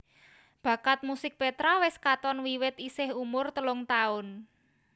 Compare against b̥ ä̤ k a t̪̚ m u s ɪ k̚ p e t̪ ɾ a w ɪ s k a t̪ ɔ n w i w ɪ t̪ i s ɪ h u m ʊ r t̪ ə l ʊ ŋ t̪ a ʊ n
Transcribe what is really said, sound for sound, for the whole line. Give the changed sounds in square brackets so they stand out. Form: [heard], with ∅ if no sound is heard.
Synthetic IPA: b̥ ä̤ k a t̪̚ m u s ɪ k̚ p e t̪ ɾ a w ɪ s k a t̪ ɔ n w i w ɪ t̪ i s ɪ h u m ʊ r t̪ ə l ʊ ŋ t̪ a ʊ n

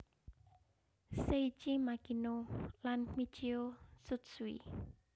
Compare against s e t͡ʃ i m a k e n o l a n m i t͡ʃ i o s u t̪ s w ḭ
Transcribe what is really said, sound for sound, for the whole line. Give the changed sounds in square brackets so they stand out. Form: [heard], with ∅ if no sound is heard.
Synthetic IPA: s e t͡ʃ i m a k [i] n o l a n m i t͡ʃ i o s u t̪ s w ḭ

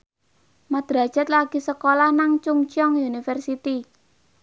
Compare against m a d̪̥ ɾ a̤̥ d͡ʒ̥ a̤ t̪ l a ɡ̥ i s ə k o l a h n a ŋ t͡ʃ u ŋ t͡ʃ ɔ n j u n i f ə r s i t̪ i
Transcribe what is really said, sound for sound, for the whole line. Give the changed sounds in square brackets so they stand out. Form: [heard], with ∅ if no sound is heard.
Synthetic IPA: m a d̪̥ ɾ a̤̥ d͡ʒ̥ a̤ t̪ l a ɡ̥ i s ə k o l a h n a ŋ t͡ʃ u ŋ t͡ʃ ɔ [ŋ] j u n i f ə r s i t̪ i

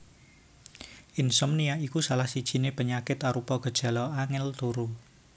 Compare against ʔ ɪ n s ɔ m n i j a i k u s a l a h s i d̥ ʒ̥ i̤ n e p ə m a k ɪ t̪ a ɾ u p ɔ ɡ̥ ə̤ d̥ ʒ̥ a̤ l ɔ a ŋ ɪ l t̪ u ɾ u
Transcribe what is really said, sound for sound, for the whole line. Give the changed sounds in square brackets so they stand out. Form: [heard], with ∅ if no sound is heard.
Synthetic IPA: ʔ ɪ n s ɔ m n i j a i k u s a l a h s i d̥ ʒ̥ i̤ n e p ə [ɲ] a k ɪ t̪ a ɾ u p ɔ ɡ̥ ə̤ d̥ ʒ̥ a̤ l ɔ a ŋ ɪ l t̪ u ɾ u

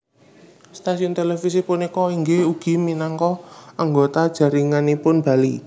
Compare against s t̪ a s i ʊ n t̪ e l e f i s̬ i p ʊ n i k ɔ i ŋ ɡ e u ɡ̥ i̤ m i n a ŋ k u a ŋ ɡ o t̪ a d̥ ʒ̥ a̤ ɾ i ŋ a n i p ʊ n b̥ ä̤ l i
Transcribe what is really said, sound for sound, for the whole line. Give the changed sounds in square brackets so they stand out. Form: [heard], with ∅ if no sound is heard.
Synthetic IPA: s t̪ a s i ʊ n t̪ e l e f i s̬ i p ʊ n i k ɔ i ŋ ɡ e u ɡ̥ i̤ m i n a ŋ k [ɔ] a ŋ ɡ o t̪ a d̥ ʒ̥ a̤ ɾ i ŋ a n i p ʊ n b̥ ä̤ l i

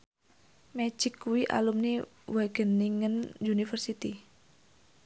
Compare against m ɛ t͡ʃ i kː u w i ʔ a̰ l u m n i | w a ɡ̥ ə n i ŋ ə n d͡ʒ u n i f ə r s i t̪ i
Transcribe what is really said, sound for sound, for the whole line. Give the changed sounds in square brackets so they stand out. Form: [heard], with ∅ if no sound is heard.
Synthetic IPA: m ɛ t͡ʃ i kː u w i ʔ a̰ l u m n i | w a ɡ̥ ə n i ŋ ə n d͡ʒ u n i f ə r s i t̪ i

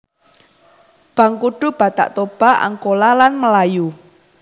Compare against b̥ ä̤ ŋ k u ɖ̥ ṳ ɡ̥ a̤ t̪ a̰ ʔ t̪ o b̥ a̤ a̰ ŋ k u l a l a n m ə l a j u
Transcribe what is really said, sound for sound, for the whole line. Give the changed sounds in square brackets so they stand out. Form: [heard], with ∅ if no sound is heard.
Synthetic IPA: b̥ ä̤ ŋ k u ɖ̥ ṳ [b̥] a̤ t̪ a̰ ʔ t̪ o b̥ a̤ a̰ ŋ k [o] l a l a n m ə l a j u

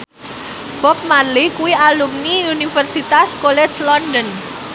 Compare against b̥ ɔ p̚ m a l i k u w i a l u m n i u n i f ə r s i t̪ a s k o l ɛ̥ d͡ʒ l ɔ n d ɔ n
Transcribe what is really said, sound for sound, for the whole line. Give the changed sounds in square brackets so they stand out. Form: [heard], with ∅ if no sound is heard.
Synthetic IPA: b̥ ɔ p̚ m a l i k u w i a l u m n i u n i f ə r s i t̪ a s k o l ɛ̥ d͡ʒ l ɔ n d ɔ n

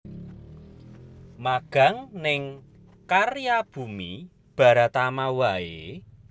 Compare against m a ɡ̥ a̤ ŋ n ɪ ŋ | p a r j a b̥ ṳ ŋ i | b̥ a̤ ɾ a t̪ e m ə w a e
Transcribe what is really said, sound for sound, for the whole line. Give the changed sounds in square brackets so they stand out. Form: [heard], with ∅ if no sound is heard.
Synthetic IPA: m a ɡ̥ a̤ ŋ n ɪ ŋ | [k] a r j a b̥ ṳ [m] i | b̥ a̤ ɾ a t̪ [a] m [a] w a e

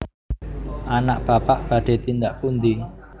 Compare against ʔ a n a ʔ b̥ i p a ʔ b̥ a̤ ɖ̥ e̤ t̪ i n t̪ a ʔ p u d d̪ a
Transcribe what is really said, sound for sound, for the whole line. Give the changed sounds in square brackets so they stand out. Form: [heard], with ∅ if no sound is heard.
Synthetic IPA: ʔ a n a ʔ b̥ [a] p a ʔ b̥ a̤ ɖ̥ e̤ t̪ i n [d̪] a ʔ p u [n] d̪ [i]

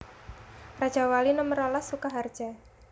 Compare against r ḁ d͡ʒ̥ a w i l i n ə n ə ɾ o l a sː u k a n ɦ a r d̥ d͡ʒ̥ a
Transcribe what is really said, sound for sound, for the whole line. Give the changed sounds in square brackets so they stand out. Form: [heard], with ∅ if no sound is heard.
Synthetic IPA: r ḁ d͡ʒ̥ a w [a] l i n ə [m] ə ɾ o l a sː u k a [∅] ɦ a r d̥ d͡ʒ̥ a

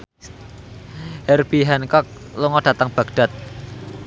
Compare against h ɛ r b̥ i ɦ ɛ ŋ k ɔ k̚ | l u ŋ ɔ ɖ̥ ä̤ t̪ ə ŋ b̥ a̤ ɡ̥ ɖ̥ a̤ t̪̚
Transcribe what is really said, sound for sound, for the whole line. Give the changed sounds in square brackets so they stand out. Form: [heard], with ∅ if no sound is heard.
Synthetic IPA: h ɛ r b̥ i ɦ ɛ [n] k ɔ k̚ | l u ŋ ɔ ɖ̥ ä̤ t̪ ə ŋ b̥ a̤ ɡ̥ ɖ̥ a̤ t̪̚

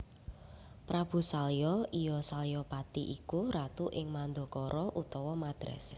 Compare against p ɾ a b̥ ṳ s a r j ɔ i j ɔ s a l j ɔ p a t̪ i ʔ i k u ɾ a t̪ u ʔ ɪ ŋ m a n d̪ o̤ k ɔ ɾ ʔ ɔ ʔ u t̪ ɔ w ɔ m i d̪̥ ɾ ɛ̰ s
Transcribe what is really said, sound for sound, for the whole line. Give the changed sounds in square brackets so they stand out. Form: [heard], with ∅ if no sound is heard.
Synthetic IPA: p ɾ a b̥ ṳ s a [l] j ɔ i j ɔ s a l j ɔ p a t̪ i ʔ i k u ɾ a t̪ u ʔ ɪ ŋ m a n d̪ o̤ k ɔ ɾ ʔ ɔ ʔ u t̪ ɔ w ɔ m [a] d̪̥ ɾ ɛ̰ s

